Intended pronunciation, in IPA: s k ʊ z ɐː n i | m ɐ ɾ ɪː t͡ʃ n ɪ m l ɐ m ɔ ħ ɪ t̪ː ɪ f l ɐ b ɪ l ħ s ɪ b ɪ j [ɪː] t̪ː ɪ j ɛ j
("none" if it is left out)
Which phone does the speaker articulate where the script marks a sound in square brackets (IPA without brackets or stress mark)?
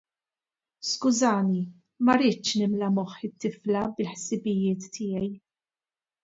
ɪː